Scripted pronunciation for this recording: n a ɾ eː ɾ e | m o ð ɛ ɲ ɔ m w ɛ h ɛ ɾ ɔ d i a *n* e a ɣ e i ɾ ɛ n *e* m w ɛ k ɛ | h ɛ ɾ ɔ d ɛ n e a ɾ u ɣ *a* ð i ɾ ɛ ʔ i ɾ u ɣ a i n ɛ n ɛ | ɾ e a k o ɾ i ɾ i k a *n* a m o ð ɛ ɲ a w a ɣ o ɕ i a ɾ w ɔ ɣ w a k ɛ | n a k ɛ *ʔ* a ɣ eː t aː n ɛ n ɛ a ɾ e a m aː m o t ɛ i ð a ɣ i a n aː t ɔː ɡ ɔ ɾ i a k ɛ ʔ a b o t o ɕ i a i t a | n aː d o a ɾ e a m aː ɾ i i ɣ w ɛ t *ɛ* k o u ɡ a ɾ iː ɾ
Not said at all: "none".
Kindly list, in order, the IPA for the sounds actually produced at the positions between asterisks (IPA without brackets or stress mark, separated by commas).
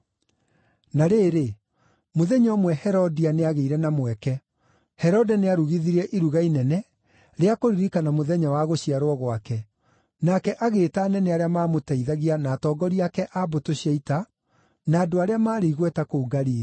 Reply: n, a, i, n, ʔ, a